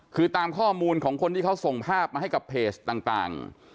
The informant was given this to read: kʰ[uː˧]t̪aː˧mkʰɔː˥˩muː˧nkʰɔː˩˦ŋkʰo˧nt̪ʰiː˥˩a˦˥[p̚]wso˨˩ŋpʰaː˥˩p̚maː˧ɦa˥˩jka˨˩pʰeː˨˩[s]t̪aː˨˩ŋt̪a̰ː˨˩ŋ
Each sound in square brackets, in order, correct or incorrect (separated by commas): incorrect, incorrect, correct